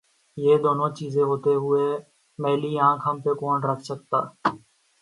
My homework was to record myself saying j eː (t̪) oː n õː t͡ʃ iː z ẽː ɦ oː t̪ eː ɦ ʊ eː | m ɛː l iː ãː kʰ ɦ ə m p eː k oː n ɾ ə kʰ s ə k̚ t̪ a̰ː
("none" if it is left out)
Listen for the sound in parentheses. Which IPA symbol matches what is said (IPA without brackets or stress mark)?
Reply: d̪